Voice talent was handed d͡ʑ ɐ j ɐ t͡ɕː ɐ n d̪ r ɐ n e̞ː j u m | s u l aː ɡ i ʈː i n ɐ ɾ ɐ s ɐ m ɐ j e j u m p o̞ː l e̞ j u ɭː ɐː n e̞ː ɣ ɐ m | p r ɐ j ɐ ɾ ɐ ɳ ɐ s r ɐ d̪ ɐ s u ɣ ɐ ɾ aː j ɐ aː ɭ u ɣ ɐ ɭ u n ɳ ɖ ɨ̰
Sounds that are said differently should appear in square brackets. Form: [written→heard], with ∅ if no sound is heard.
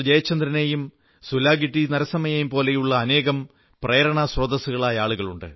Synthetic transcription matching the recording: d͡ʑ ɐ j ɐ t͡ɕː ɐ n d̪ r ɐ n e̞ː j u m | s u l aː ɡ i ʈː i n ɐ ɾ ɐ s ɐ m ɐ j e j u m p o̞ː l e̞ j u ɭː ɐː n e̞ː ɣ ɐ m | p r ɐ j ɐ ɾ ɐ ɳ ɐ s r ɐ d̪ ɐ s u ɣ ɐ [ɾ→ɭ] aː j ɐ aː ɭ u ɣ ɐ ɭ u [n→∅] ɳ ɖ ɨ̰